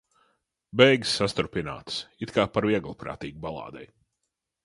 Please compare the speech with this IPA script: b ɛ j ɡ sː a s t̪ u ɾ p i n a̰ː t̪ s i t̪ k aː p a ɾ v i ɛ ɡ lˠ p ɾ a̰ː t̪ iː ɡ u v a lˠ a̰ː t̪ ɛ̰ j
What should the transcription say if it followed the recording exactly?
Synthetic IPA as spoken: b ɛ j ɡ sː a s t̪ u ɾ p i n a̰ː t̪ s i t̪ k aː p a ɾ v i ɛ ɡ lˠ p ɾ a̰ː t̪ iː ɡ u b a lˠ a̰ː d̪ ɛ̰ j